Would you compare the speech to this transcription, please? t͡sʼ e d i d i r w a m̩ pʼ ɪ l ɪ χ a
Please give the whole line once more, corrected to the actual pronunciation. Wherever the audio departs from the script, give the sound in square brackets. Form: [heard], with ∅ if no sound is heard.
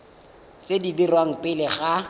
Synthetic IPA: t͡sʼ e d i d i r w a [ŋ̩] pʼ ɪ l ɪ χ a